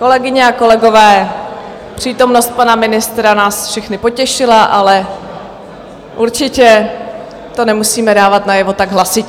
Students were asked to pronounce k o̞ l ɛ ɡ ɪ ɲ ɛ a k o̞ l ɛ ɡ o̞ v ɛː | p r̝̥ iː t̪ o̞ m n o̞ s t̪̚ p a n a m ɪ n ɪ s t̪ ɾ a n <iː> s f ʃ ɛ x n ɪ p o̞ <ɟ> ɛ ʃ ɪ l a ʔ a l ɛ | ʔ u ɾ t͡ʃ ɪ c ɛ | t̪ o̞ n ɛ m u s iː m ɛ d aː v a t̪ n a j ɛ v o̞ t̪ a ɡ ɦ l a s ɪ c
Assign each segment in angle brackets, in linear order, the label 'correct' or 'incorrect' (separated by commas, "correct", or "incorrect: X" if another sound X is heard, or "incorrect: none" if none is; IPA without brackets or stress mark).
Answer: incorrect: aː, incorrect: c